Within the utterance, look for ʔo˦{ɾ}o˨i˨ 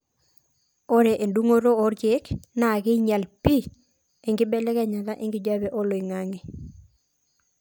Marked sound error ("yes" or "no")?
yes